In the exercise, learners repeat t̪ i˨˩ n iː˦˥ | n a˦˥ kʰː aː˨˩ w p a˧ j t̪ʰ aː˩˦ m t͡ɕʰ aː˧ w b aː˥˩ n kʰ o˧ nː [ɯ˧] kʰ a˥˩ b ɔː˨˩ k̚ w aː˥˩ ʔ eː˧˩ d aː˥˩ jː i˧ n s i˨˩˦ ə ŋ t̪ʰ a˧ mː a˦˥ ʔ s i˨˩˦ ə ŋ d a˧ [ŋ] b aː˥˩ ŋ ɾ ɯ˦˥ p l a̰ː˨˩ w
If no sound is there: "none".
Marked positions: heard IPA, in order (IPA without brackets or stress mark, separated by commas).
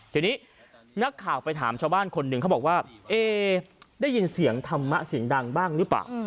ɯ˧, ŋ